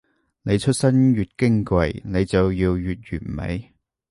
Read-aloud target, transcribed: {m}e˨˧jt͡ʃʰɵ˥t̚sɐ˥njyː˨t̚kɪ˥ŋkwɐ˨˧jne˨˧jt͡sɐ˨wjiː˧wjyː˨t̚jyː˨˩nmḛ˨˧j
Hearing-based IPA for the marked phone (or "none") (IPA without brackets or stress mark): n